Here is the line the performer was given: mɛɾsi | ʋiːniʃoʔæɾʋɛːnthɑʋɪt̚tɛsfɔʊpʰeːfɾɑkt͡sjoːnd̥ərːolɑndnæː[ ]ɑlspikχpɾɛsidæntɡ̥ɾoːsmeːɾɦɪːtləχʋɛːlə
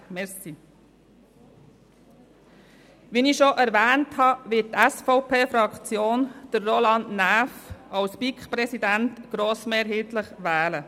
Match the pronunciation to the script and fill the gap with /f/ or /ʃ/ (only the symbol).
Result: f